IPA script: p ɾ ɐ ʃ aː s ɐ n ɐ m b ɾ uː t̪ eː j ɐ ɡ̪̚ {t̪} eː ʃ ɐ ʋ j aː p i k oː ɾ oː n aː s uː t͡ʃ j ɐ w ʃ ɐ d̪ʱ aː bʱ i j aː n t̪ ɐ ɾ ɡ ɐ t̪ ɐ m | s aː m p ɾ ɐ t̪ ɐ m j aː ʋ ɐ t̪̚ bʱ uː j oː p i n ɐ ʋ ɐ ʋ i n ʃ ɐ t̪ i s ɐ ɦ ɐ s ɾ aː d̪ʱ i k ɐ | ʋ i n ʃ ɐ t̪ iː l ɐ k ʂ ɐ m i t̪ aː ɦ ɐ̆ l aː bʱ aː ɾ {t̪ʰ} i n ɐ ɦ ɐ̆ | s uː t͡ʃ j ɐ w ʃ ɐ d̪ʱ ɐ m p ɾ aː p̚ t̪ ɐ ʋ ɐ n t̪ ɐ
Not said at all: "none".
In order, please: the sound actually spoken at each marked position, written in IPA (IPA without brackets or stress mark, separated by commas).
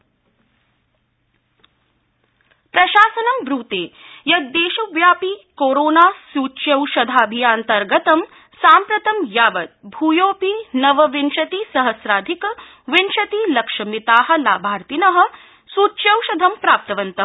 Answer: d̪, t̪